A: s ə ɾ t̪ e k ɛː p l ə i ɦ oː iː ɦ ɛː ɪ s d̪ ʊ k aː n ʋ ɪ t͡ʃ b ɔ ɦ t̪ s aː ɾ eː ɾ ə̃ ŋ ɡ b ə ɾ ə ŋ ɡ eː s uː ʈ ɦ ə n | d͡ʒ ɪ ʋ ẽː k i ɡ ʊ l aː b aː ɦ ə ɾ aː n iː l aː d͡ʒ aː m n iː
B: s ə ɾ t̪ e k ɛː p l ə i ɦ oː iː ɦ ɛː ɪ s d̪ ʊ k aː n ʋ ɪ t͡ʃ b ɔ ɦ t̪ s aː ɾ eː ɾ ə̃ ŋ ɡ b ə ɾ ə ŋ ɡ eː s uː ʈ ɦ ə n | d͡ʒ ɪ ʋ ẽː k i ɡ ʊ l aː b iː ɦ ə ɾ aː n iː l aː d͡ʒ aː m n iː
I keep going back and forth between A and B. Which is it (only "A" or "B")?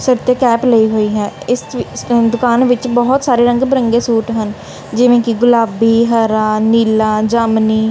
B